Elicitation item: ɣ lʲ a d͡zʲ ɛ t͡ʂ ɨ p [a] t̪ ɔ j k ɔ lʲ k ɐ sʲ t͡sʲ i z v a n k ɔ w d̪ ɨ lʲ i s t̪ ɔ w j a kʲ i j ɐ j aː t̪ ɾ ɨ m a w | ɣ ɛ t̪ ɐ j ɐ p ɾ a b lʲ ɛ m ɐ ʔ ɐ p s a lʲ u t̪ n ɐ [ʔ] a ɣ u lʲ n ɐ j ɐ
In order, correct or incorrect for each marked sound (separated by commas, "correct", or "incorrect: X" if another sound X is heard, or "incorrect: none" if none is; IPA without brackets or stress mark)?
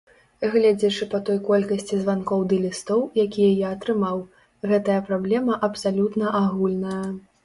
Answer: incorrect: ɐ, correct